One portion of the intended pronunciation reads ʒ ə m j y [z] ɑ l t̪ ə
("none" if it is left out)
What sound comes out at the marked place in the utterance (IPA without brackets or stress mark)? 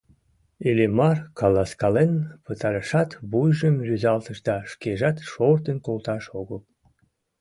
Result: z